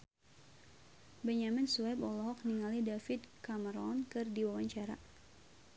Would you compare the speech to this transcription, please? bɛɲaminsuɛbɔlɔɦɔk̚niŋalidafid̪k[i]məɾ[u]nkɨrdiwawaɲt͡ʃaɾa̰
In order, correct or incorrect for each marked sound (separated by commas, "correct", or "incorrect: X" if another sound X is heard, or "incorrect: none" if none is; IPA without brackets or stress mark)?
incorrect: a, incorrect: ɔ